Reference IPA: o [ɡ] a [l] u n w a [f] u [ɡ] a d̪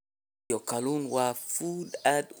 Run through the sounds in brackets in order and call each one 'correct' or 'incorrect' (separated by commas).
incorrect, correct, correct, incorrect